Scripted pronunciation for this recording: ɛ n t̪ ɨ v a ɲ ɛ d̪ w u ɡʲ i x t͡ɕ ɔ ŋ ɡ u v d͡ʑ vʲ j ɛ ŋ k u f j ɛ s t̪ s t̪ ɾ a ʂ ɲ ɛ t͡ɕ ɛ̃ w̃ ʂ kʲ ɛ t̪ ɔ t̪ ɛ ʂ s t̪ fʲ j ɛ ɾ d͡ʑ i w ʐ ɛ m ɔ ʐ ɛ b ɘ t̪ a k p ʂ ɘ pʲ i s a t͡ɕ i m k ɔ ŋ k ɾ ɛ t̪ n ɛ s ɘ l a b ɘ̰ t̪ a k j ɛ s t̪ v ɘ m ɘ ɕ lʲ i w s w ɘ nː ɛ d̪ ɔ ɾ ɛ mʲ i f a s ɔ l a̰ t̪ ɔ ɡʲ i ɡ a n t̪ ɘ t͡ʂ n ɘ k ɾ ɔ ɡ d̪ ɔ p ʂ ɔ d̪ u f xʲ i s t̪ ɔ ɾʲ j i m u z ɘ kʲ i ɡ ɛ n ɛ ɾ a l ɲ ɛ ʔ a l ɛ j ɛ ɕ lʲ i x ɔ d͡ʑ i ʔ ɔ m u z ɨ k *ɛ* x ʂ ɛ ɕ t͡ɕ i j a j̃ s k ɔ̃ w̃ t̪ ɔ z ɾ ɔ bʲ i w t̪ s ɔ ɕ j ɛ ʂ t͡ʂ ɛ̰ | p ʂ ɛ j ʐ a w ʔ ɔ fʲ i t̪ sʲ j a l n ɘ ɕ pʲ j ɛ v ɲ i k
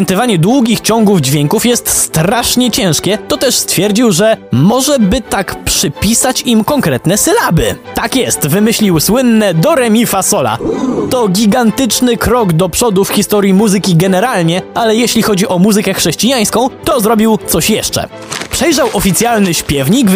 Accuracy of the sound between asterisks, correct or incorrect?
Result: correct